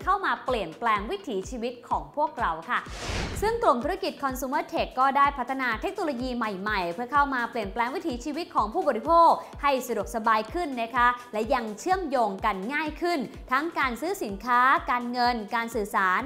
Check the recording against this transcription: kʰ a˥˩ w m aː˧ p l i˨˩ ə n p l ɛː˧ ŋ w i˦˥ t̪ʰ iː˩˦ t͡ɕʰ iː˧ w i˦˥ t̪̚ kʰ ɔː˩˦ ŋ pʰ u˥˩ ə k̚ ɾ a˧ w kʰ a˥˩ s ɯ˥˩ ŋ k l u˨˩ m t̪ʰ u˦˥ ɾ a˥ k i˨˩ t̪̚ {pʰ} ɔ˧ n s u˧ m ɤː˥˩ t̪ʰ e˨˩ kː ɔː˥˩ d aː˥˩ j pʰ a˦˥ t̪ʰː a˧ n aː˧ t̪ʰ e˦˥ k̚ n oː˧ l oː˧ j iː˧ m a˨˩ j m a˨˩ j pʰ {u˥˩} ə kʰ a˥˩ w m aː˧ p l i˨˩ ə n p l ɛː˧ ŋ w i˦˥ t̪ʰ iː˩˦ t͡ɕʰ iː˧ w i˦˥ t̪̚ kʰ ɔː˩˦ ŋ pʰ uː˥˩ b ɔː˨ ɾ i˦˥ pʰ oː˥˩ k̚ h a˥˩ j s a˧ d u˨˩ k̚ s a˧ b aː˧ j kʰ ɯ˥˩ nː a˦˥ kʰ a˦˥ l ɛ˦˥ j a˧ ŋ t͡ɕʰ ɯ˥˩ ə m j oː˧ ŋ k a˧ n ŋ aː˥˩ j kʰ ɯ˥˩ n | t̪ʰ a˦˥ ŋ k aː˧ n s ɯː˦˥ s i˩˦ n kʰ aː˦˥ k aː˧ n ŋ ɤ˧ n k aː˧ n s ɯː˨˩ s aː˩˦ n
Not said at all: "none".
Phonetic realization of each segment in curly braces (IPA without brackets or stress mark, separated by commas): kʰ, ɯ˥˩